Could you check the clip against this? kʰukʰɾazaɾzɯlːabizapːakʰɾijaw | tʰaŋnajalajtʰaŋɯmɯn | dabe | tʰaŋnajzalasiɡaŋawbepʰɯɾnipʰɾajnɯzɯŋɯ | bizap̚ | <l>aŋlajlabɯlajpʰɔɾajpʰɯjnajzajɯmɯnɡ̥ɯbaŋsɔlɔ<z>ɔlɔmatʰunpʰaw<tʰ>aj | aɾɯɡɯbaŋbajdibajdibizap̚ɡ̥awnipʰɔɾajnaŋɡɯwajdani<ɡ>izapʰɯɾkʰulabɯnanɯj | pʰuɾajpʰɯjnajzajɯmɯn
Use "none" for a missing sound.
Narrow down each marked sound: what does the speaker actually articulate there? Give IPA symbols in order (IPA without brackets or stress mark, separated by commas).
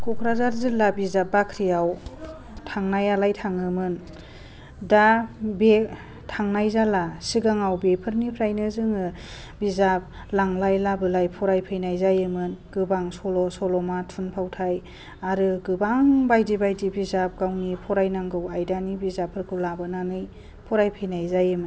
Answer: l, s, tʰ, b